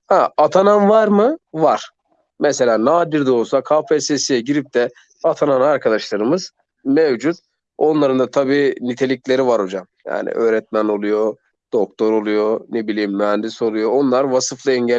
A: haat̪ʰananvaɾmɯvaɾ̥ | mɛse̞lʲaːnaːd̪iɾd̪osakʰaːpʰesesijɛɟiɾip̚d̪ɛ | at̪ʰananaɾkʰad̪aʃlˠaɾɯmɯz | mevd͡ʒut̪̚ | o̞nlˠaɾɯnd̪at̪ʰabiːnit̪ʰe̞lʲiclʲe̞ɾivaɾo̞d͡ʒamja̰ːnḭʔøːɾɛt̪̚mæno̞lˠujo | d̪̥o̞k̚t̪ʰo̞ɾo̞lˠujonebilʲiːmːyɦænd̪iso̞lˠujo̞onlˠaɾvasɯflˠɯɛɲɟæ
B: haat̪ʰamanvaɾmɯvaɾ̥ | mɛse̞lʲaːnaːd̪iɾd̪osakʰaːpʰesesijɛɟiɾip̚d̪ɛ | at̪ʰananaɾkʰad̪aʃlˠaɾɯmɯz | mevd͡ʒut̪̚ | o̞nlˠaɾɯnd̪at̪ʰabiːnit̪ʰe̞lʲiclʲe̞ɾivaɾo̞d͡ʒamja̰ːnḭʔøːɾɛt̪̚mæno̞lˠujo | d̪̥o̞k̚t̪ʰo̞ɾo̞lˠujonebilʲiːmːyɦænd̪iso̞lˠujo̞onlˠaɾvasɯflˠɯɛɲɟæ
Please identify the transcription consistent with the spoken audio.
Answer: A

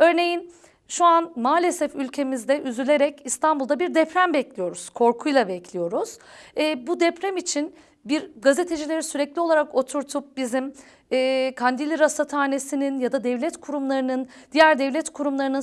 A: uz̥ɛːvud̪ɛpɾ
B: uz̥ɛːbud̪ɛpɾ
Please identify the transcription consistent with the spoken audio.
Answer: B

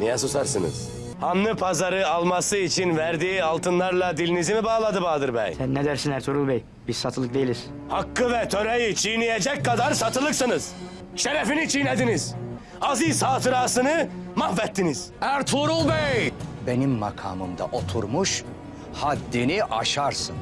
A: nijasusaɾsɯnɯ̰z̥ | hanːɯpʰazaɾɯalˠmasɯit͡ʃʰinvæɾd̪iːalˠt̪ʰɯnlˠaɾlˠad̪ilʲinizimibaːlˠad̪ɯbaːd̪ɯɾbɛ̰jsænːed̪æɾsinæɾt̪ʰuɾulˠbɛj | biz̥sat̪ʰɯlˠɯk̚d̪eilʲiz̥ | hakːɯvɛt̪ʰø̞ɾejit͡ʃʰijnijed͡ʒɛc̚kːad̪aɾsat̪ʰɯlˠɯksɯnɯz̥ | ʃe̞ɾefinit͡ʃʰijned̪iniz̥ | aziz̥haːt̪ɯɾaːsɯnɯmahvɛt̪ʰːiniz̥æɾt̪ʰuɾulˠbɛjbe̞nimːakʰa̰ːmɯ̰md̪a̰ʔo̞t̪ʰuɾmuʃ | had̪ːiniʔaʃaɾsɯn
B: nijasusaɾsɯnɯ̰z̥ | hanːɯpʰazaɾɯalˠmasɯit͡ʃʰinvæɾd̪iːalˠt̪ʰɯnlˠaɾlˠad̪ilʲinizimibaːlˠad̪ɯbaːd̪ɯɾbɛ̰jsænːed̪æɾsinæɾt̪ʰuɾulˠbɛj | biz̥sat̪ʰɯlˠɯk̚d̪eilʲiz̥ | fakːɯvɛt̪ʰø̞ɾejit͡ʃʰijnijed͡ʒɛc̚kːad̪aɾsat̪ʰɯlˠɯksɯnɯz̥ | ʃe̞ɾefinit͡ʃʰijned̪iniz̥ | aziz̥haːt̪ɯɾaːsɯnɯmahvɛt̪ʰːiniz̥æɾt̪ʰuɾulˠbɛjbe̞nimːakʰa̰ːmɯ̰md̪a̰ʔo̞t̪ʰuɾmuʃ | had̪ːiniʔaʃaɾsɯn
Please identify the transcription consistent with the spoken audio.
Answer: A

